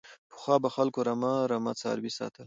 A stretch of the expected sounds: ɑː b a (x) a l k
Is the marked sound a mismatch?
no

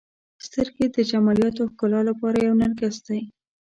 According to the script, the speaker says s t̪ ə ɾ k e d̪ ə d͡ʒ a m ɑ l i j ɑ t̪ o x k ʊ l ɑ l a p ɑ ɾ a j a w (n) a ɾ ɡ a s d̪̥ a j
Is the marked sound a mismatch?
no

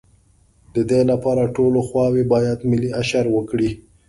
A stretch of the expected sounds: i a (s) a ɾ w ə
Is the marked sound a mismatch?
yes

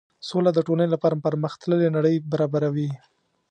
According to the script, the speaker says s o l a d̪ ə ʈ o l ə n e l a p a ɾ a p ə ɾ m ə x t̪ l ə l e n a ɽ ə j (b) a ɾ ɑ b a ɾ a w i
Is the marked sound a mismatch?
no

